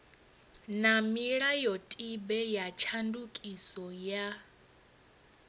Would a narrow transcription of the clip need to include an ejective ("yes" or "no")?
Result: yes